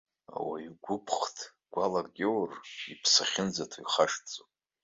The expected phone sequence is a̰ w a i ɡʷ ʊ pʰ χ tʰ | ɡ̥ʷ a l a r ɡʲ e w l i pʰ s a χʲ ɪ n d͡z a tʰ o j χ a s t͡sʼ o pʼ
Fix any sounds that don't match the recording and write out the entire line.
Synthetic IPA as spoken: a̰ w a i ɡʷ ʊ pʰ χ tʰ | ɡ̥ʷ a l a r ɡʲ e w r i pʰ s a χʲ ɪ n d͡z a tʰ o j χ a ʂ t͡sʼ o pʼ